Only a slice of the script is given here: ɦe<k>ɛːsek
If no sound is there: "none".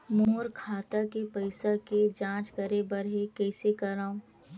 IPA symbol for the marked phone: k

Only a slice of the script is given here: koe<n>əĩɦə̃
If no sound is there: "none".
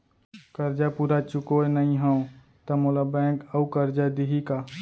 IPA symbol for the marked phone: n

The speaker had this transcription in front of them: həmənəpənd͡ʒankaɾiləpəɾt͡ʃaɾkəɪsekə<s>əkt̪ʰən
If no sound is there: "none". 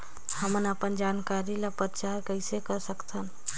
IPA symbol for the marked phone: s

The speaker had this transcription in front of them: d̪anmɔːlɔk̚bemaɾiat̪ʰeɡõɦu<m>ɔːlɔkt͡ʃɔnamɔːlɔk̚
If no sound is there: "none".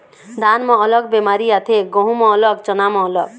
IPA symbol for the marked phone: m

